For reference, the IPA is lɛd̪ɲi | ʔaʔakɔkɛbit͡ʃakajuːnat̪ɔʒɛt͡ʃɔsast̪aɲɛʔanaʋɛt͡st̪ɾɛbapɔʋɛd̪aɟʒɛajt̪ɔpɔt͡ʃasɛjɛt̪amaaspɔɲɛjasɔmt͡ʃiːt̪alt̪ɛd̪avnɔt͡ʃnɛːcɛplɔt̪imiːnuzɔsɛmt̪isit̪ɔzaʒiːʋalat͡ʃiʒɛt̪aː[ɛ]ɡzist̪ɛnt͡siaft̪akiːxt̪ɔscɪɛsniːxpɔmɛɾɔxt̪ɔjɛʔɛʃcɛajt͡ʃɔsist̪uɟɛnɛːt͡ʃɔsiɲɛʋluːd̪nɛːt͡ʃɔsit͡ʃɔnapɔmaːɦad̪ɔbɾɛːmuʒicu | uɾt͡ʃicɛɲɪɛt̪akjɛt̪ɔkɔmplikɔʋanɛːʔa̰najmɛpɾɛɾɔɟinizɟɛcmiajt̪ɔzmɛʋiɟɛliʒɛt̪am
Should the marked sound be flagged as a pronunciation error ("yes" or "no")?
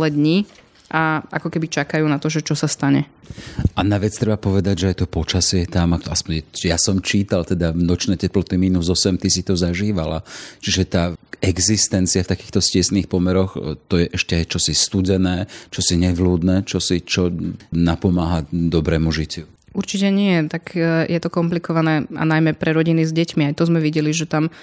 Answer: no